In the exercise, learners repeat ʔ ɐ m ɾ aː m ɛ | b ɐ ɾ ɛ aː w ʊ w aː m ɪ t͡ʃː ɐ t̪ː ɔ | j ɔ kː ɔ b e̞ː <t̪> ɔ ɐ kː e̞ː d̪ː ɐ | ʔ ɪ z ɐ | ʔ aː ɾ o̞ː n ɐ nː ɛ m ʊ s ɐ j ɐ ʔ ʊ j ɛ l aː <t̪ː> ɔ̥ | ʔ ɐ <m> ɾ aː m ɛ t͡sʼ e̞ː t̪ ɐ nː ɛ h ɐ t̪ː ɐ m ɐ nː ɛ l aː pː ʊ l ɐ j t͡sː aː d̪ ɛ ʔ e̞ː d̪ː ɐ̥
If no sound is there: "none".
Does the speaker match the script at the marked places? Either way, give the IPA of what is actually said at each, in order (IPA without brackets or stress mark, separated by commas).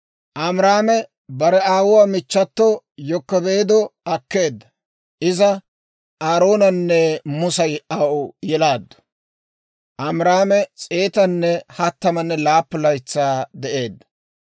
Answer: d̪, d̪ː, m